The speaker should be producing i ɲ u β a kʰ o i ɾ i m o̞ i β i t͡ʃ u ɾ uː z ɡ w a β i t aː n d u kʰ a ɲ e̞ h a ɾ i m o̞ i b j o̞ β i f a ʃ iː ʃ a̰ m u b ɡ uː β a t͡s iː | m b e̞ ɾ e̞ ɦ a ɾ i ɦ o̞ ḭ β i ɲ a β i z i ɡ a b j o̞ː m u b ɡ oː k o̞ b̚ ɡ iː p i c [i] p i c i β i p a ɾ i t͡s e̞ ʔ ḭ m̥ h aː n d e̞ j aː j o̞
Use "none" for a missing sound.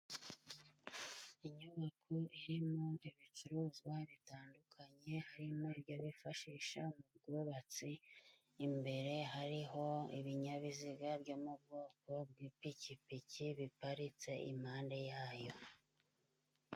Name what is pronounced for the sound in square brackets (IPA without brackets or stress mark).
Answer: i